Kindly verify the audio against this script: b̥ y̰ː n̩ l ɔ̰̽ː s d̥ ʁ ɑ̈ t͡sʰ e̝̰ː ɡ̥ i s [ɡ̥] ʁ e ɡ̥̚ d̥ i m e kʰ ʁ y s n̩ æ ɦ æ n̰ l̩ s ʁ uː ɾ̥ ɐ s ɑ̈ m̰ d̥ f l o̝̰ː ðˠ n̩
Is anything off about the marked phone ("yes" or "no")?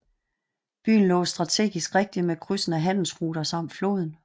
no